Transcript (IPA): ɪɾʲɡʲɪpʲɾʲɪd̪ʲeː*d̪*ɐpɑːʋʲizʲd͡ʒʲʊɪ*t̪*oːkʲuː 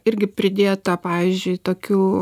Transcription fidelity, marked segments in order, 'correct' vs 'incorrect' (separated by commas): incorrect, correct